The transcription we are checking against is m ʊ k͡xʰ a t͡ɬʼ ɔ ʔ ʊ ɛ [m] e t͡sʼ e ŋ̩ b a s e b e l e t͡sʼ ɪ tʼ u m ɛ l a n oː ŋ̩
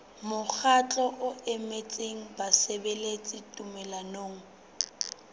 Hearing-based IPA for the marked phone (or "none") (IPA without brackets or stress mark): m